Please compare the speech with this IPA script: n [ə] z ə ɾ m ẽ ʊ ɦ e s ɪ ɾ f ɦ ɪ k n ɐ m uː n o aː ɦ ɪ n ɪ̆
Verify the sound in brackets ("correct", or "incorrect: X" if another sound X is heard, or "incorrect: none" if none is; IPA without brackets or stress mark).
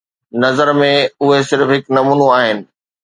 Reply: incorrect: ɐ